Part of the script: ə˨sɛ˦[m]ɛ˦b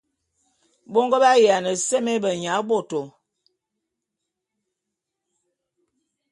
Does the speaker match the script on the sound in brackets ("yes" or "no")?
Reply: yes